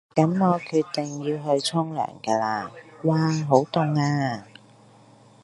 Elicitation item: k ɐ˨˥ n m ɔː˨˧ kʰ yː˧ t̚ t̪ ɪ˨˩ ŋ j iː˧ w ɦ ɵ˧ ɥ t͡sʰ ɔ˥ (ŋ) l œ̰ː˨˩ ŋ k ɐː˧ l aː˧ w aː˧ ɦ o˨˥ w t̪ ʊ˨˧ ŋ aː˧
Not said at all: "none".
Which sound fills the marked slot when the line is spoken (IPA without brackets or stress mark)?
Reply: ŋ